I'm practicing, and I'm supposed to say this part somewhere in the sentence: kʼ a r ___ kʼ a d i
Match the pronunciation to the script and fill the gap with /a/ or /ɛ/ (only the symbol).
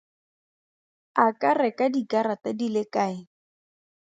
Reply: ɛ